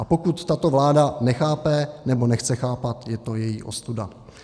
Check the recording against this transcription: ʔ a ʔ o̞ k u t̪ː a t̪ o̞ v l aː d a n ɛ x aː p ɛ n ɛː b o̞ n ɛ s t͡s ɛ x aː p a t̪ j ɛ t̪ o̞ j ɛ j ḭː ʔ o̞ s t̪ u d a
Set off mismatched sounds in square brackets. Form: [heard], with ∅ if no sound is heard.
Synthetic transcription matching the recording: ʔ a [p] o̞ k u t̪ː a t̪ o̞ v l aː d a n ɛ x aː p ɛ n [ɛ] b o̞ n ɛ [x] t͡s ɛ x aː p a t̪ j ɛ t̪ o̞ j ɛ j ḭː ʔ o̞ s t̪ u d a